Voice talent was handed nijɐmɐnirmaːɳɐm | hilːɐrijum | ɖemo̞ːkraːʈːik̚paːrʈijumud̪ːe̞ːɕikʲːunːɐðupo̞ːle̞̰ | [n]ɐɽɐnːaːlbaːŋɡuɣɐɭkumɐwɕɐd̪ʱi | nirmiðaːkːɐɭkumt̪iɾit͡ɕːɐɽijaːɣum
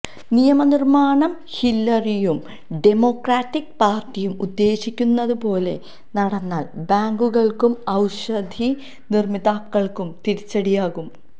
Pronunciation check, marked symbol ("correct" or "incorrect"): correct